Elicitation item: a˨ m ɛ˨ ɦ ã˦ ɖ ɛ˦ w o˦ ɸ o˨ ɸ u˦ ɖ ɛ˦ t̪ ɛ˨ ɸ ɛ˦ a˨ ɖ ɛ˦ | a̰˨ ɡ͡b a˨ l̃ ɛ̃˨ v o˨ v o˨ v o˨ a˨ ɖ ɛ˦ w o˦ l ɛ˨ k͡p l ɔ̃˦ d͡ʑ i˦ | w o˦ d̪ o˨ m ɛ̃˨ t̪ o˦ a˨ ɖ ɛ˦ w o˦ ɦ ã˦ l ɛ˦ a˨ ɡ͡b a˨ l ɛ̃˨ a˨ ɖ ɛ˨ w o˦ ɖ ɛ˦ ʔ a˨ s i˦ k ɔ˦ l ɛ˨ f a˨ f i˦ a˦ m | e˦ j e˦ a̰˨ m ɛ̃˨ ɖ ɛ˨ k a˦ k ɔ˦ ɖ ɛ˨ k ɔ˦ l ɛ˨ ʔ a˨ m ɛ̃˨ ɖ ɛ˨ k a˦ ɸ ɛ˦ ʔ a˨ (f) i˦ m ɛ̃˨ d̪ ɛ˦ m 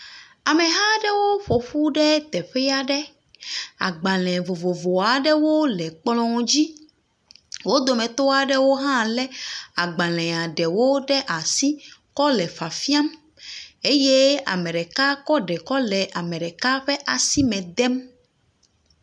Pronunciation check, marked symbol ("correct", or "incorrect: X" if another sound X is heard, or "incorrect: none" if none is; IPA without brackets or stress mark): incorrect: s